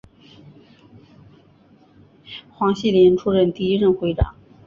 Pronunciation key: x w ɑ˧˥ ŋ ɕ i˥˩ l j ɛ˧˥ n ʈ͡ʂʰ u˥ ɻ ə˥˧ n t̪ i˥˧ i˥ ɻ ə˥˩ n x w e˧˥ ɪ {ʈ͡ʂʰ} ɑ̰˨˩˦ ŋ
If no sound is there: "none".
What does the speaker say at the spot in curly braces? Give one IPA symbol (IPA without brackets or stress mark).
ʈ͡ʂ